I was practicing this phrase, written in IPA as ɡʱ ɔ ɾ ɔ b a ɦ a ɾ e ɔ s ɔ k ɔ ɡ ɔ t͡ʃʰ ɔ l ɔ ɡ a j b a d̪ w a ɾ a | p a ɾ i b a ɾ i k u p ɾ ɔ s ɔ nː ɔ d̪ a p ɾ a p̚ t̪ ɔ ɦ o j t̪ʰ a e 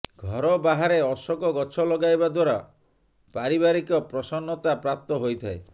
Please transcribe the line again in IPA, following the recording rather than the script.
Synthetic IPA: ɡʱ ɔ ɾ ɔ b a ɦ a ɾ e ɔ s ɔ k ɔ ɡ ɔ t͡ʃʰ ɔ l ɔ ɡ a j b a d̪ w a ɾ a | p a ɾ i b a ɾ i k ɔ p ɾ ɔ s ɔ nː ɔ t̪ a p ɾ a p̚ t̪ ɔ ɦ o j t̪ʰ a e